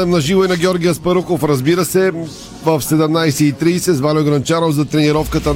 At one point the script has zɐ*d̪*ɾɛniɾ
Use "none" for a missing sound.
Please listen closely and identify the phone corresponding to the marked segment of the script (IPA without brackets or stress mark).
t̪